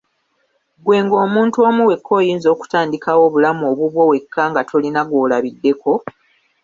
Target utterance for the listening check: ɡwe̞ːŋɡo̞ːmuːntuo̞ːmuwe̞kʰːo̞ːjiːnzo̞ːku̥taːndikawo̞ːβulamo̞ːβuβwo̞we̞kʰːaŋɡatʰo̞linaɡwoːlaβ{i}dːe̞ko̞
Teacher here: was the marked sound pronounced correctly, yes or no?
yes